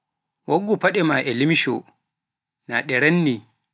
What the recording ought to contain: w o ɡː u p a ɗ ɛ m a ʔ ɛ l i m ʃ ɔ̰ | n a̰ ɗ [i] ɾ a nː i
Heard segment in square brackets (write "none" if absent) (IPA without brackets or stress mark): ɛ